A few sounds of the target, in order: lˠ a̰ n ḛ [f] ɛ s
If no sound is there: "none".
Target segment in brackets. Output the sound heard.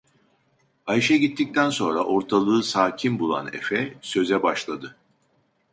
f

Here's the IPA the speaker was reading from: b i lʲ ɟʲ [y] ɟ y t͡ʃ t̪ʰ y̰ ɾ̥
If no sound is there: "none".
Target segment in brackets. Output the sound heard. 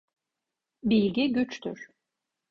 i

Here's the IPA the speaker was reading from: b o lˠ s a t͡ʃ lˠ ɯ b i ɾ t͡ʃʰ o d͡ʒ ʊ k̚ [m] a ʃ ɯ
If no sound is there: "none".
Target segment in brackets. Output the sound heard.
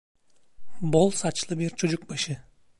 b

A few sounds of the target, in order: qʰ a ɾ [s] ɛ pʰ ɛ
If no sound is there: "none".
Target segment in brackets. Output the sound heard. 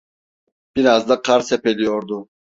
s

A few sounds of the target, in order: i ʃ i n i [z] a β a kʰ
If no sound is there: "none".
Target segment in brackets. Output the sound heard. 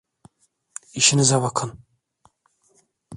z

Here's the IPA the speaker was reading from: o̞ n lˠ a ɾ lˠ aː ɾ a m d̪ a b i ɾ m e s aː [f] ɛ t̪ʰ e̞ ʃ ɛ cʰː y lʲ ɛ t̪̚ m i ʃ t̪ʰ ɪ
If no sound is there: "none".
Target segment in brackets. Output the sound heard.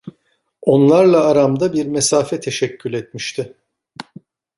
f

